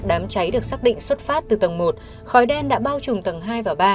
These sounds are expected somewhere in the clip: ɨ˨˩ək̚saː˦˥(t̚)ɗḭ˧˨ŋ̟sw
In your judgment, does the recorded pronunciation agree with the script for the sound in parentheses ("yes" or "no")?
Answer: no